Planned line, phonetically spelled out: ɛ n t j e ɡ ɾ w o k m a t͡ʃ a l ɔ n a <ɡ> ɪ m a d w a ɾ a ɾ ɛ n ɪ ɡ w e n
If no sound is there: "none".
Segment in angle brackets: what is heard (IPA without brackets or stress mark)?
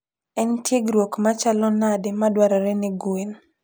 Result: d